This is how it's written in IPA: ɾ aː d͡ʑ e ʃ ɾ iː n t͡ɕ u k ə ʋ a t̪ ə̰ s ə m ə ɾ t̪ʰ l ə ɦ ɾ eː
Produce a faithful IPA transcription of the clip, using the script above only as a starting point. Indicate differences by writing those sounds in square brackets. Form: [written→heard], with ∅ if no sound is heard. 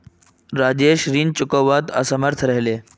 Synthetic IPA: ɾ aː d͡ʑ e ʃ ɾ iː n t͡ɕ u k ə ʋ a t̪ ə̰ s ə m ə ɾ t̪ʰ [l→ɾ] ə ɦ [ɾ→l] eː